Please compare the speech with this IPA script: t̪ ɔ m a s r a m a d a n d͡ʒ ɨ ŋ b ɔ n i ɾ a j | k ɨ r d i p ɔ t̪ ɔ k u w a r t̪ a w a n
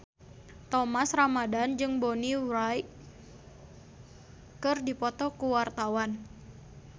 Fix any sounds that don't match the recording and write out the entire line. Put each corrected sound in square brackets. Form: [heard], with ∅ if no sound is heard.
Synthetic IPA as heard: t̪ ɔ m a s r a m a d a n d͡ʒ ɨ ŋ b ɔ n i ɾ a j | k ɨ r d i p ɔ t̪ ɔ k u w a r t̪ a w a n